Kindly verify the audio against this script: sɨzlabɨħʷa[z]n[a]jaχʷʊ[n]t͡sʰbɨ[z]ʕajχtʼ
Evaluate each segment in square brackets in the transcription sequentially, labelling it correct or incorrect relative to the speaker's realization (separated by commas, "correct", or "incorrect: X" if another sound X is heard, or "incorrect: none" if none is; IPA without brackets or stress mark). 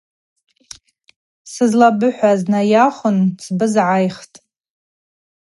correct, correct, correct, correct